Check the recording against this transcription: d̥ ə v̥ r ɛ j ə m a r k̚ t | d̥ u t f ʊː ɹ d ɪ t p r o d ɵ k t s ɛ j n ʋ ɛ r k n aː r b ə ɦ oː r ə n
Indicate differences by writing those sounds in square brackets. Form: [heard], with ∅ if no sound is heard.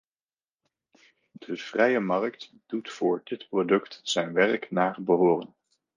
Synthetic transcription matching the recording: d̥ ə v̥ r ɛ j ə m [ɑ] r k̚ t | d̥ u t f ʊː ɹ d ɪ t p r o d ɵ k t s ɛ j n ʋ ɛ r k n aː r b ə ɦ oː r ə n

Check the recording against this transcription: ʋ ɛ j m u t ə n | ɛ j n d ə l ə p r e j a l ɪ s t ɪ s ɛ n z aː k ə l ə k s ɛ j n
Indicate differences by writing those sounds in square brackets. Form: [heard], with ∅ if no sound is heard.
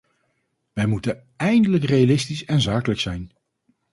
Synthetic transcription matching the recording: ʋ ɛ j m u t ə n | ɛ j n d ə l ə [k] r e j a l ɪ s t [i] s ɛ n z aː k ə l ə k s ɛ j n

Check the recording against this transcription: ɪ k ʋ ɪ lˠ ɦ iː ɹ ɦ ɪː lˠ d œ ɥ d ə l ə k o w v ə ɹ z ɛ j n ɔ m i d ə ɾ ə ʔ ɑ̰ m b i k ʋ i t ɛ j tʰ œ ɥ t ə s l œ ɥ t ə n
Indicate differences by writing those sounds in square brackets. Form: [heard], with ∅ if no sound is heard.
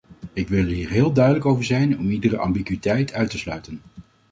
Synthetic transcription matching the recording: ɪ k ʋ ɪ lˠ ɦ iː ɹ ɦ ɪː lˠ d œ ɥ d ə l ə k o w v ə ɹ z ɛ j n ɔ m i d ə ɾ ə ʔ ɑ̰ m b i k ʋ i t ɛ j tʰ œ ɥ t ə s l œ ɥ t ə n

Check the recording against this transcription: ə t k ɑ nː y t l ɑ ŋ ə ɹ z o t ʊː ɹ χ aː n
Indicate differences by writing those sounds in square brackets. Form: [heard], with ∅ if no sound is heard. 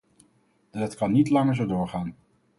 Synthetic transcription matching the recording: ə t k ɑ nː [i] t l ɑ ŋ ə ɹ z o [d] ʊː ɹ χ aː n

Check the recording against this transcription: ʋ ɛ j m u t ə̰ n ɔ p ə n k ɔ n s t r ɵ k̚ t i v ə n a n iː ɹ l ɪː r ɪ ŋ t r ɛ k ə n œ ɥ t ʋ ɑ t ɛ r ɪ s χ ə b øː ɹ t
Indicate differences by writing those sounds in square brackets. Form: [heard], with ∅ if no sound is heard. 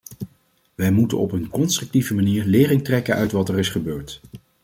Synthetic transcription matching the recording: ʋ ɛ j m u t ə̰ n ɔ p ə n k ɔ n s t r ɵ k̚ t i v ə [m] a n iː ɹ l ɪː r ɪ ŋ t r ɛ k ə n œ ɥ t ʋ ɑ t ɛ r ɪ s χ ə b øː ɹ t

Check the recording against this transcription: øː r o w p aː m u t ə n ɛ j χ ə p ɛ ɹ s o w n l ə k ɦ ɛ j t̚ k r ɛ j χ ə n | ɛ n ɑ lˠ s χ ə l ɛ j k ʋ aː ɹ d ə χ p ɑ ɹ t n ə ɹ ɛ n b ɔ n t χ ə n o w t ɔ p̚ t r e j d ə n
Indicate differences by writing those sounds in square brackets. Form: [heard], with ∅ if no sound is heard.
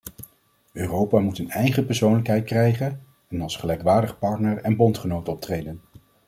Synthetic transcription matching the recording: øː r o w p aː m u t ə n ɛ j χ ə p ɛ ɹ s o w n l ə k ɦ ɛ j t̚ k r ɛ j χ ə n | ɛ n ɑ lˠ s χ ə l ɛ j k ʋ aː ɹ d ə χ p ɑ ɹ t n ə ɹ ɛ n b ɔ n t χ ə n o w t ɔ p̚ t r e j d ə n

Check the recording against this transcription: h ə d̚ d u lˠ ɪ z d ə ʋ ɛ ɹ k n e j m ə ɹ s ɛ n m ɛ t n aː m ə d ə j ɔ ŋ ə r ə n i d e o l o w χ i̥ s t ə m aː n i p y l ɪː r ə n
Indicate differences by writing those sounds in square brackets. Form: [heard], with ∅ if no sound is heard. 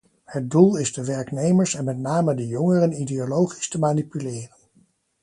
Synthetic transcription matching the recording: h ə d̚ d u lˠ ɪ z d ə ʋ ɛ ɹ k n e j m ə ɹ s ɛ n m ɛ t n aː m ə d ə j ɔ ŋ ə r ə n i d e o l o w χ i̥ s t ə m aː n i p y l ɪː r ə n

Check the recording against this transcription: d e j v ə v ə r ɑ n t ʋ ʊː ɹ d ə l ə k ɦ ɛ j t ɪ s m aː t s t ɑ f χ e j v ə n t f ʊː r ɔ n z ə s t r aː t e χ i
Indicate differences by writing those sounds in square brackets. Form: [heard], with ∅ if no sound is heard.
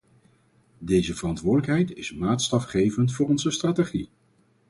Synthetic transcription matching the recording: d e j [z] ə v ə r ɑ n t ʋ ʊː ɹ d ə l ə k ɦ ɛ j t ɪ s m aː t s t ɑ f χ e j v ə n t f ʊː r ɔ n z ə s t r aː t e χ i

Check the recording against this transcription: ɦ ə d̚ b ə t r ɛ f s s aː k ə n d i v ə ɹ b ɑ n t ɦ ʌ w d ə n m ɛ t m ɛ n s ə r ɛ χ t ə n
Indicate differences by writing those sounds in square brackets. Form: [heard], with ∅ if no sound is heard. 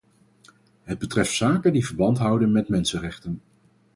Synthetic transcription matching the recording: ɦ ə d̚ b ə t r ɛ f [t] s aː k ə n d i v ə ɹ b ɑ n t ɦ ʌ w d ə n m ɛ t m ɛ n s ə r ɛ χ t ə n

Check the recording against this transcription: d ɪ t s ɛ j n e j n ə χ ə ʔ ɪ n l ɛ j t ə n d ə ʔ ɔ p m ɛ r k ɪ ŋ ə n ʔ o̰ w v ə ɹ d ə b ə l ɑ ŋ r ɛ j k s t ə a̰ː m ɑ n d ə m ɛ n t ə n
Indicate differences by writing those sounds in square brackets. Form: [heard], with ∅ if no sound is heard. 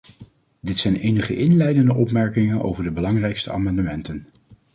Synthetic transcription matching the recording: d ɪ t s ɛ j n e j n ə χ ə ʔ ɪ n l ɛ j [d] ə n d ə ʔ ɔ p m ɛ [ɹ] k ɪ ŋ ə n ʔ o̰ w v ə ɹ d ə b ə l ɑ ŋ r ɛ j k s t ə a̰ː m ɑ n d ə m ɛ n t ə n

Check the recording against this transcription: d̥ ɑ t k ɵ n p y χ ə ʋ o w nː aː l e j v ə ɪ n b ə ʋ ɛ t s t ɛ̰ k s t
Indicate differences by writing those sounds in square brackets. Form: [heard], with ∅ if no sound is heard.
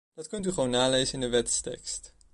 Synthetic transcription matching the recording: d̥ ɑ t k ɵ n [t] y χ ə ʋ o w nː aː l e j [z] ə ɪ n [d] ə ʋ ɛ t s t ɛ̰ k s t

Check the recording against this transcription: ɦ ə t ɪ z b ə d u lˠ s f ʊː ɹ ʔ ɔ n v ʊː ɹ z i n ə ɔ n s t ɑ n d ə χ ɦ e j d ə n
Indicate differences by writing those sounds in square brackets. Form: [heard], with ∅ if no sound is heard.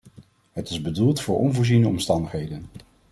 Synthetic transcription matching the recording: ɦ ə t ɪ z b ə d u lˠ [t] f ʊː ɹ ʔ ɔ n v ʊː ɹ z i n ə ɔ [m] s t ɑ n d ə χ ɦ e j d ə n

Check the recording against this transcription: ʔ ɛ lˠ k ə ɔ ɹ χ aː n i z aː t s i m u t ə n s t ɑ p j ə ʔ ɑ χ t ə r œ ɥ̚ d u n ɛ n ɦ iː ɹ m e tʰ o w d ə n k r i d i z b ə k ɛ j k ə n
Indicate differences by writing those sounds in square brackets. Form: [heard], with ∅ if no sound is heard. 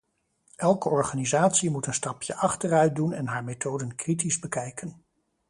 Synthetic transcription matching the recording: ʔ ɛ lˠ k ə ɔ ɹ χ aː n i z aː t s i m u t ə n s t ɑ p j ə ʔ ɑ χ t ə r œ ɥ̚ d u n ɛ n ɦ [aː] ɹ m e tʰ o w d ə n k r i [t] i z b ə k ɛ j k ə n

